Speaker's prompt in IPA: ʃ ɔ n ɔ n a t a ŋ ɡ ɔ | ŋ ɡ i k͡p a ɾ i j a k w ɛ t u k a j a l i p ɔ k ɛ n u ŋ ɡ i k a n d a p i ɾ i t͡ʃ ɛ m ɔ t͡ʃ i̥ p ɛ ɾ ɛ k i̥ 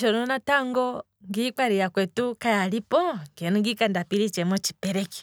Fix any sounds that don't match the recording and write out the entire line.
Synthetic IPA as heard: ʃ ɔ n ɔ n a t a ŋ ɡ ɔ | ŋ ɡ i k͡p a ɾ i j a k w ɛ t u k a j a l i p ɔ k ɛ n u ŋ ɡ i k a n d a p i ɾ i t͡ʃ ɛ m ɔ t͡ʃ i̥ p ɛ ɾ ɛ k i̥